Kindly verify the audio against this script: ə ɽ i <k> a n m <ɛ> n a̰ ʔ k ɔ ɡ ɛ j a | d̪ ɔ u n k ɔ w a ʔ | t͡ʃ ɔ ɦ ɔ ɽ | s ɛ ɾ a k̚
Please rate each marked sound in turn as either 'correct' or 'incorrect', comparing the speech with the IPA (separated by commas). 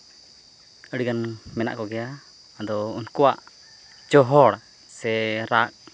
incorrect, correct